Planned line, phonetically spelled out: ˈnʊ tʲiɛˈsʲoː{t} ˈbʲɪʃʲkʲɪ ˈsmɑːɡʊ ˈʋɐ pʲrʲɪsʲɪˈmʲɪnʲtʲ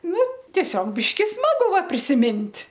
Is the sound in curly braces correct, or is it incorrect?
incorrect